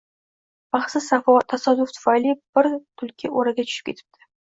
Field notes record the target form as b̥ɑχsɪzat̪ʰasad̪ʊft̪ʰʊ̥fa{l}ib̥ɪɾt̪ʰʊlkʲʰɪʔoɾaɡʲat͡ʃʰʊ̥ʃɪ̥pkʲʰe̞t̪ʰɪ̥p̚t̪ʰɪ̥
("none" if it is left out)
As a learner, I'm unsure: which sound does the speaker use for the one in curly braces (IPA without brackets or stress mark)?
l